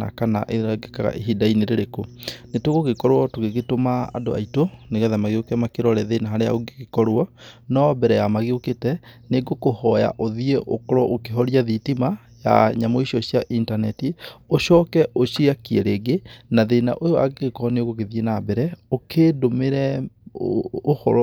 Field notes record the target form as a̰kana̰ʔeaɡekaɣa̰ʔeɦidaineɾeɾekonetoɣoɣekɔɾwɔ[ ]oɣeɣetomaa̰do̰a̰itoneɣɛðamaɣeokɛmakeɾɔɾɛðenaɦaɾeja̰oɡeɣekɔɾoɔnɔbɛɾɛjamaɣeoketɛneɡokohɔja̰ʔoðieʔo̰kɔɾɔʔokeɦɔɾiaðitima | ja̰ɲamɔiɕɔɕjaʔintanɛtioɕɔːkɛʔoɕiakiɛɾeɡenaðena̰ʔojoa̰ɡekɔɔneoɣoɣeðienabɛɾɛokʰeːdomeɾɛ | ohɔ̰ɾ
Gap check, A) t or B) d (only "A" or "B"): A